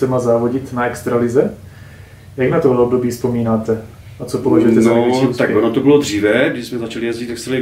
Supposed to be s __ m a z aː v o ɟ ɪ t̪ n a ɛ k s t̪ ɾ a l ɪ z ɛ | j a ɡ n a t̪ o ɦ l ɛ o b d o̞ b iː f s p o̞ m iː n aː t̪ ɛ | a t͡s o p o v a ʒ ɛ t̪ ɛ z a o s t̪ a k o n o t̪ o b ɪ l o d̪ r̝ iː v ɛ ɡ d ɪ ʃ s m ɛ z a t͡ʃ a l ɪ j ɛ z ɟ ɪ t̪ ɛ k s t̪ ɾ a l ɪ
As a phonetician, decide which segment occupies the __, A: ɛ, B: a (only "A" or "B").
A